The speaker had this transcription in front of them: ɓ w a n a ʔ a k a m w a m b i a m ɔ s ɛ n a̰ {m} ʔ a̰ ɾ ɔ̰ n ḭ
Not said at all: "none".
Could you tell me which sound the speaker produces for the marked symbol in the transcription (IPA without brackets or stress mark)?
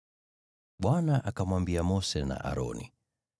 none